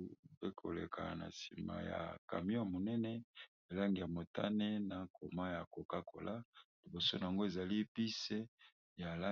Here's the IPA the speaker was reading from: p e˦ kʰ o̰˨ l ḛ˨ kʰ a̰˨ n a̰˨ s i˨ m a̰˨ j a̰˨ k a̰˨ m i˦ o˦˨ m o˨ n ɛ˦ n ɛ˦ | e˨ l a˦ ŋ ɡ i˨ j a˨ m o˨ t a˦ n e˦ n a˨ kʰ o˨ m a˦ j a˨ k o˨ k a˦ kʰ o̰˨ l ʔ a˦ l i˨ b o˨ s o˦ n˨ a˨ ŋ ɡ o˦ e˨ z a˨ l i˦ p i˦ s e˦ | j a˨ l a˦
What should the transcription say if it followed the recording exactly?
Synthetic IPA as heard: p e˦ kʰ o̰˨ l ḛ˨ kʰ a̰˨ n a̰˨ s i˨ m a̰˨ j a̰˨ k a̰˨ m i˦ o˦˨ m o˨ n ɛ˦ n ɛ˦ | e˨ l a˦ ŋ ɡ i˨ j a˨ m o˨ t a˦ n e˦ n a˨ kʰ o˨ m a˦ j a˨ k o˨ k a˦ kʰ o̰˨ l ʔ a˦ l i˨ b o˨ s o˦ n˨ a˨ ŋ ɡ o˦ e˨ z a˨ l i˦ p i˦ s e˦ | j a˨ l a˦

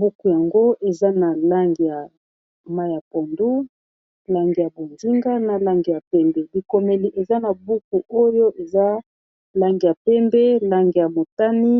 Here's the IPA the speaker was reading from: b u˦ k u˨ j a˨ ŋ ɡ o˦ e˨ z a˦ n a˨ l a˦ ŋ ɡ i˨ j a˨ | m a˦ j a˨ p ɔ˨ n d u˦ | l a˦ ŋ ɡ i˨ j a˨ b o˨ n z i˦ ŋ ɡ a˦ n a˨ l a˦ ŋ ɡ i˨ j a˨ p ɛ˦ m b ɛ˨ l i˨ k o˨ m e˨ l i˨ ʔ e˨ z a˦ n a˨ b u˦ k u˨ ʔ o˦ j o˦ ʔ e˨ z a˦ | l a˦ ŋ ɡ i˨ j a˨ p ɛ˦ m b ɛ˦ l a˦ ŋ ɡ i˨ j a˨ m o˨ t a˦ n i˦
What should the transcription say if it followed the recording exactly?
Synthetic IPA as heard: b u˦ k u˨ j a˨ ŋ ɡ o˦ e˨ z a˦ n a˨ l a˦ ŋ ɡ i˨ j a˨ | m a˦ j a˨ p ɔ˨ n d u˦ | l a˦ ŋ ɡ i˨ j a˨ b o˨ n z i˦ ŋ ɡ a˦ n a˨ l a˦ ŋ ɡ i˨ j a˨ p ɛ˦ m b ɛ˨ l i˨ k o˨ m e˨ l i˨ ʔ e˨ z a˦ n a˨ b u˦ k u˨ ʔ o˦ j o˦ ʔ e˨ z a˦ | l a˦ ŋ ɡ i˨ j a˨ p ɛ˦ m b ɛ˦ l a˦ ŋ ɡ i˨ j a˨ m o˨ t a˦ n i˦

